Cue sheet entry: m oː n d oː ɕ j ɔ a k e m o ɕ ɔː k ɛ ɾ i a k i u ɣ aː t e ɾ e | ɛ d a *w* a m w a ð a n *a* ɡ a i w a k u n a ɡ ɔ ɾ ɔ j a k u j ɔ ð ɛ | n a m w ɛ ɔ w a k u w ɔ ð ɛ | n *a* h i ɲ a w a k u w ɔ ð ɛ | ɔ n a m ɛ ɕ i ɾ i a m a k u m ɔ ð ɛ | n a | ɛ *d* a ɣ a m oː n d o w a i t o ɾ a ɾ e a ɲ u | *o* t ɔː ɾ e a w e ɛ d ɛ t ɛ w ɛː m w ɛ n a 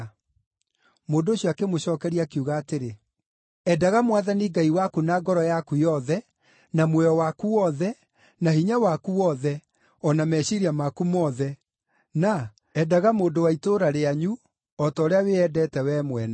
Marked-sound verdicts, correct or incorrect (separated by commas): incorrect, incorrect, correct, correct, incorrect